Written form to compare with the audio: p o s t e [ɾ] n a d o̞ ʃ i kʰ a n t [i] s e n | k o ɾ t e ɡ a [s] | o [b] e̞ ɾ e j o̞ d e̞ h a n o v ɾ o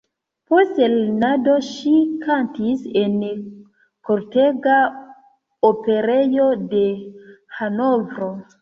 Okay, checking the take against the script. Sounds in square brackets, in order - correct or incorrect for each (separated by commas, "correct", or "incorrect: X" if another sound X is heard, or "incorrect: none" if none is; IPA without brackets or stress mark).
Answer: incorrect: l, correct, incorrect: none, incorrect: p